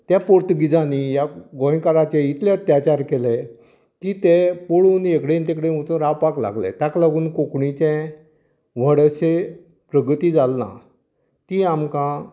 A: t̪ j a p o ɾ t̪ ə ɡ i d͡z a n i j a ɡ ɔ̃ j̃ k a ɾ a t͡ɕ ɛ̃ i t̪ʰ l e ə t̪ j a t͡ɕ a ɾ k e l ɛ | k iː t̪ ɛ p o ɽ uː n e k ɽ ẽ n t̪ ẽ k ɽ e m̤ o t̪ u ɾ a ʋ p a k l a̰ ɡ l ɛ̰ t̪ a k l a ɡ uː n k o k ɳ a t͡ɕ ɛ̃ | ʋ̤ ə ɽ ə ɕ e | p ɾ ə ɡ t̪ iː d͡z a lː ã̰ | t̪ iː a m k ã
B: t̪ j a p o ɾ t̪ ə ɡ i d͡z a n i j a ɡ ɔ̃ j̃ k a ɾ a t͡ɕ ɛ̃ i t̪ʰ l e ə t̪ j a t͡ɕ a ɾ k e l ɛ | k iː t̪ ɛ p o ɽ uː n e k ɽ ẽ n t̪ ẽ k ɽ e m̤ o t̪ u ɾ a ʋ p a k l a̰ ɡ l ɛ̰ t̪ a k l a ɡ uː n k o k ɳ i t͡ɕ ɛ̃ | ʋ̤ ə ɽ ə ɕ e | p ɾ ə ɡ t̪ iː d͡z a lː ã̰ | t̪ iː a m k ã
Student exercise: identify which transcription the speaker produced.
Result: B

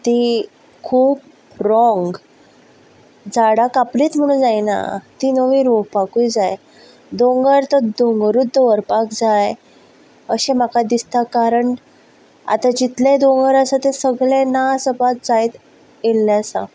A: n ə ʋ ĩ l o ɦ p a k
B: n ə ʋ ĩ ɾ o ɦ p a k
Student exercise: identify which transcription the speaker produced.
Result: B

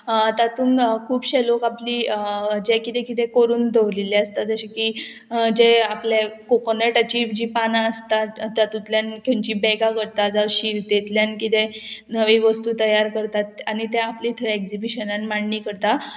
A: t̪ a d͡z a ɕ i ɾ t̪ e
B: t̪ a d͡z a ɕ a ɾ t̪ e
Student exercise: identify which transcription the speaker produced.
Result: A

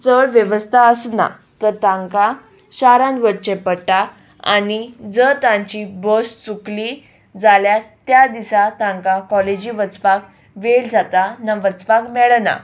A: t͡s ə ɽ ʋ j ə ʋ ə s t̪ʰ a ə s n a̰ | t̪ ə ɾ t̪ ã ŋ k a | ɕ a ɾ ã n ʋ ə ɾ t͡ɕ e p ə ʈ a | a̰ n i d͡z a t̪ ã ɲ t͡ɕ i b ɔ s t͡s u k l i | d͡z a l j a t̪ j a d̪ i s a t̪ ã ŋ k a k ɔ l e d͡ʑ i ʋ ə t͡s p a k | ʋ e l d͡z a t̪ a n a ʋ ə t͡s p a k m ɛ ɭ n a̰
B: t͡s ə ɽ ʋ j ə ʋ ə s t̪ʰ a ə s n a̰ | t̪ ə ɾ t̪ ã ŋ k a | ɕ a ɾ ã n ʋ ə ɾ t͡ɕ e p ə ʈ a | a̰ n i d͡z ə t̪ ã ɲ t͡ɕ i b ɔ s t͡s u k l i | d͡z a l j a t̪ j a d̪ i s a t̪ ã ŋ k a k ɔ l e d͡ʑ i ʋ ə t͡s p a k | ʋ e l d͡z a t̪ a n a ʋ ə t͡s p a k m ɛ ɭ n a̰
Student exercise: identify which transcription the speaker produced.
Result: B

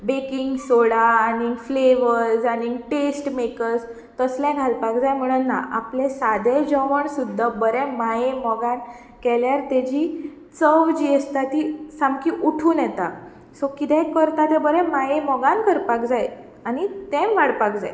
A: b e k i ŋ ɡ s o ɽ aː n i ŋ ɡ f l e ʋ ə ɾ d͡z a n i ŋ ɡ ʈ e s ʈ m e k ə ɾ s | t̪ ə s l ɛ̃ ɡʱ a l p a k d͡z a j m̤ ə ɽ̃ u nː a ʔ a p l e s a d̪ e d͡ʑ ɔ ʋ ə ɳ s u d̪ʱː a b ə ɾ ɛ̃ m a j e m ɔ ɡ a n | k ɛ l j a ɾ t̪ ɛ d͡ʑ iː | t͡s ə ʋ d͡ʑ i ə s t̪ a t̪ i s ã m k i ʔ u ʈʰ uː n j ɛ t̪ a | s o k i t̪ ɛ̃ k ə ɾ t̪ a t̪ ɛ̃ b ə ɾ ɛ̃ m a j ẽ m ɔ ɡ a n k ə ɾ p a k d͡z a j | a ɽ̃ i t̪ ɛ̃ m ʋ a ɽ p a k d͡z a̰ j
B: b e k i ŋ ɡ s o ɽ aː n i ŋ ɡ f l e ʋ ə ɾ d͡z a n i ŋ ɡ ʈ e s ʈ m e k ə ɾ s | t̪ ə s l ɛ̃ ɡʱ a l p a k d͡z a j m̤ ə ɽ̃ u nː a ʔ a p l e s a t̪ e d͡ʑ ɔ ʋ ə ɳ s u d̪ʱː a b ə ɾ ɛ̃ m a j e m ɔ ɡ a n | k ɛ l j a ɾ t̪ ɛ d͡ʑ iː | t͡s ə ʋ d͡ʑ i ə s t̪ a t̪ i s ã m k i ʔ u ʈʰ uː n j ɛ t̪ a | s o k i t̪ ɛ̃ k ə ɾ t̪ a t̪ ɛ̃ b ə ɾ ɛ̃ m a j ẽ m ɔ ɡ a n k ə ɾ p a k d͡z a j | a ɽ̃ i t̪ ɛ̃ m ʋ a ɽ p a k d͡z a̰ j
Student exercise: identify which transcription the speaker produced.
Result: A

